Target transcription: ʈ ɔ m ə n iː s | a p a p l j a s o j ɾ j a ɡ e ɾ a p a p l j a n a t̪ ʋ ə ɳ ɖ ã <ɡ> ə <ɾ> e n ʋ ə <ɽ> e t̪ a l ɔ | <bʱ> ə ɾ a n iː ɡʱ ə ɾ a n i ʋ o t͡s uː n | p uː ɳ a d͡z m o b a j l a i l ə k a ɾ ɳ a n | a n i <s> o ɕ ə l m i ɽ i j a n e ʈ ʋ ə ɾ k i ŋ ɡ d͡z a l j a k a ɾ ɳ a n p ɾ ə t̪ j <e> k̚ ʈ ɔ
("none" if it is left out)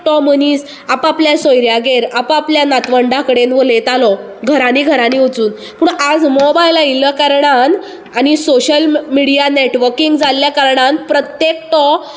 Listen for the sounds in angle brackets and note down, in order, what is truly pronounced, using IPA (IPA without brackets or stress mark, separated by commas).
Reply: k, ɽ, l, ɡʱ, s, e